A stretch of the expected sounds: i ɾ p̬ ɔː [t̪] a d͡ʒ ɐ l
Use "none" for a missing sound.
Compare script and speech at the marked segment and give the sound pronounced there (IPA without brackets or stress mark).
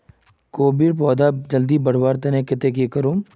d̪